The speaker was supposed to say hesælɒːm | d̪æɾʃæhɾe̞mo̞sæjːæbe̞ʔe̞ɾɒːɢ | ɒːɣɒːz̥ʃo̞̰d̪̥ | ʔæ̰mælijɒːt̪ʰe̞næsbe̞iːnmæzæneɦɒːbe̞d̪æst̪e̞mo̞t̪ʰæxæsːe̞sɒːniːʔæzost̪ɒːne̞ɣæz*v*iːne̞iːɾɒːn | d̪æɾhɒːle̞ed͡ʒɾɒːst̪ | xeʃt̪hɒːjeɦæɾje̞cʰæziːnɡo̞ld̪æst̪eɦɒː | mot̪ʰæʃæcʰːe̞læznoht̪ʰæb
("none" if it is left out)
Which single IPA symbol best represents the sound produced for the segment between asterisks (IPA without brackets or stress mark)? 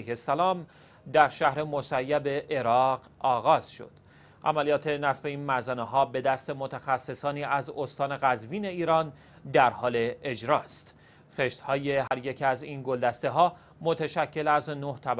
v